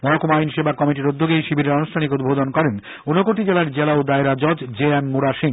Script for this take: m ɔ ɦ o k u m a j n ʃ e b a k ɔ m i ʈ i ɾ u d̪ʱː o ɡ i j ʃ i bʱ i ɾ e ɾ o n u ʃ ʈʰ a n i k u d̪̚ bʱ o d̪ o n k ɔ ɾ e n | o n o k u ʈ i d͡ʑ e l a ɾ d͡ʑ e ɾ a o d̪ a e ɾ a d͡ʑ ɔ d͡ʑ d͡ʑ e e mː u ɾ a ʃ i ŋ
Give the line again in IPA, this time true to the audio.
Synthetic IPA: m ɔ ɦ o k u m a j n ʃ e b a k ɔ m i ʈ i ɾ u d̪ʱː o ɡ e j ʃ i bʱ i ɾ e ɾ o n u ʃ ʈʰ a n i k u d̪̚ bʱ o d̪ o n k ɔ ɾ e n | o n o k o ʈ i d͡ʑ e l a ɾ d͡ʑ e l a o d̪ a e ɾ a d͡ʑ ɔ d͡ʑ d͡ʑ e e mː u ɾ a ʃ i ŋ